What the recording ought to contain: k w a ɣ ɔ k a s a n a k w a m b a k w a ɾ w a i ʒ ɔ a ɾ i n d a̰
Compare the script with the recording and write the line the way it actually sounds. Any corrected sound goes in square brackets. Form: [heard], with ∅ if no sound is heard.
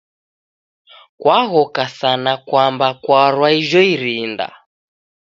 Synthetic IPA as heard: k w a ɣ ɔ k a s a n a k w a m b a k w a ɾ w a i ʒ ɔ [i] ɾ i n d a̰